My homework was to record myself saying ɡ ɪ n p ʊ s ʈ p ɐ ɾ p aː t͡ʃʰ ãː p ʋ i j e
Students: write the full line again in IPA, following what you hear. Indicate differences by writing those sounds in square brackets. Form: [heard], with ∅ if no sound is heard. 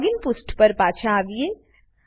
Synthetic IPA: ɡ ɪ n p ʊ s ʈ p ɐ ɾ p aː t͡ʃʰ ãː [∅] ʋ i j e